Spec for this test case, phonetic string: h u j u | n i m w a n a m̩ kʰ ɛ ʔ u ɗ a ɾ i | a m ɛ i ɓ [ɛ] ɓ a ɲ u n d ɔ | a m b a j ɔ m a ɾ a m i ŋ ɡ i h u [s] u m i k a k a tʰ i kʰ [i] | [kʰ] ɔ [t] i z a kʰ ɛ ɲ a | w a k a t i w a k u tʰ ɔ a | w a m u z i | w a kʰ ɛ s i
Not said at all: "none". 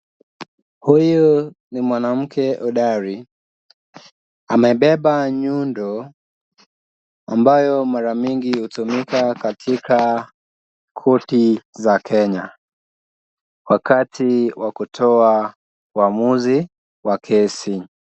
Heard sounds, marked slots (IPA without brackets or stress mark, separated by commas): ɛ, t, a, kʰ, t